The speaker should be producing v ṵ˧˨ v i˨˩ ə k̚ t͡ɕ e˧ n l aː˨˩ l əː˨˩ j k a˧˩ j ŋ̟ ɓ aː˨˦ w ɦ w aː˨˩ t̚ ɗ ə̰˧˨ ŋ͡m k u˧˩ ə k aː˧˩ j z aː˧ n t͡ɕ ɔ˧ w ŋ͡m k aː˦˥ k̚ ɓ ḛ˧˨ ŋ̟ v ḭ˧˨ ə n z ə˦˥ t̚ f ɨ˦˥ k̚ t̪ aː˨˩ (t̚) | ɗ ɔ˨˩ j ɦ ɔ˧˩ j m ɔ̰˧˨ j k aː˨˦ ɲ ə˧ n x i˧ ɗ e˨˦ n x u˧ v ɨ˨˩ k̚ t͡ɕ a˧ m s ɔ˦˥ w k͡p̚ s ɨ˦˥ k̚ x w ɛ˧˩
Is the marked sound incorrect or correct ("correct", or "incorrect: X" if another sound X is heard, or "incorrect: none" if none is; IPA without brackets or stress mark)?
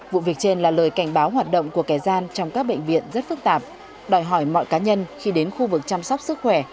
incorrect: p̚